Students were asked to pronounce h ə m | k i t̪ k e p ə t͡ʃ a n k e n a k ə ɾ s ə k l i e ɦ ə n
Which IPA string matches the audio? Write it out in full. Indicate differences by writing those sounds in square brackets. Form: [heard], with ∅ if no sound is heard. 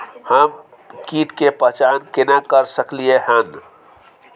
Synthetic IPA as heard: h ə m | k i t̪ k e p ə t͡ʃ a n k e n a k ə ɾ s ə k l i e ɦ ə n